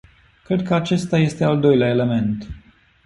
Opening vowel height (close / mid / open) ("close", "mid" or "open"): mid